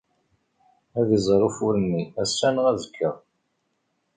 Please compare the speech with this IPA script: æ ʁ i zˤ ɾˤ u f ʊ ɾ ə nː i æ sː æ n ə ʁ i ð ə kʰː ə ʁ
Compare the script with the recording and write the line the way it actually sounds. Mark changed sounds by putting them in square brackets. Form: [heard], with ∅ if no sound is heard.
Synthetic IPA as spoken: æ [ð] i zˤ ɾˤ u f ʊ ɾ ə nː i æ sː æ n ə ʁ [æ] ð ə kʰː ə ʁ